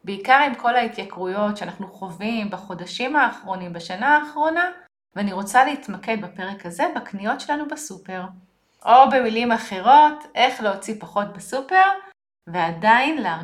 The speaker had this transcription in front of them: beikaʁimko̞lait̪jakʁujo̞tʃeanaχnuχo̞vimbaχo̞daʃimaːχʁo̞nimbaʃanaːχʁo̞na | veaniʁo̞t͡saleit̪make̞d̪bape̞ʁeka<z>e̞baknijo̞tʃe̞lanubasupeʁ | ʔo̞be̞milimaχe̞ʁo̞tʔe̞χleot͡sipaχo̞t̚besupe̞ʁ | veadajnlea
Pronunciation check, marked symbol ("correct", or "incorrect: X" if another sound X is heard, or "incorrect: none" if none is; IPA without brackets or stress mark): correct